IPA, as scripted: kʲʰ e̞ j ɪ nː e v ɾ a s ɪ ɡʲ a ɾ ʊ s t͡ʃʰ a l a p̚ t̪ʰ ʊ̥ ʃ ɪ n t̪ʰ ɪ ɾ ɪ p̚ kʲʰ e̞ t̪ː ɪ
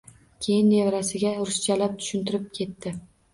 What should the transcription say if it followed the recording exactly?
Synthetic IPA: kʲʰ e̞ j ɪ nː e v ɾ a s ɪ ɡʲ a ɾ ʊ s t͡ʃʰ a l a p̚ t̪ʰ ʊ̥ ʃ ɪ n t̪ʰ ɪ ɾ ɪ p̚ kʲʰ e̞ t̪ː ɪ